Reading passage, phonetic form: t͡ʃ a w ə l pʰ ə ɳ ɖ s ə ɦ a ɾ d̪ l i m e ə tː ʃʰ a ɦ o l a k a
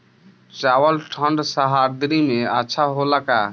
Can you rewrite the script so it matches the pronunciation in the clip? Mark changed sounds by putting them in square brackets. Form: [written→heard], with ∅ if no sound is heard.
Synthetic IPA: t͡ʃ a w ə l [pʰ→ʈʰ] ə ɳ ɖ s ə ɦ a ɾ d̪ [l→ɾ] i m e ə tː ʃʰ a ɦ o l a k a